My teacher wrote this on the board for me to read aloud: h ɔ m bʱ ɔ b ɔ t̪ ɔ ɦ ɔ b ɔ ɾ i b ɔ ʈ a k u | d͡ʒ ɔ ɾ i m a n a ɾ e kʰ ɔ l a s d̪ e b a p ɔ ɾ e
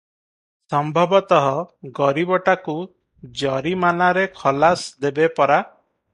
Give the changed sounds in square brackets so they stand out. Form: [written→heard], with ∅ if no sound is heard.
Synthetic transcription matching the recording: [h→s] ɔ m bʱ ɔ b ɔ t̪ ɔ ɦ ɔ [b→ɡ] ɔ ɾ i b ɔ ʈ a k u | d͡ʒ ɔ ɾ i m a n a ɾ e kʰ ɔ l a s d̪ e b [a→e] p ɔ ɾ [e→a]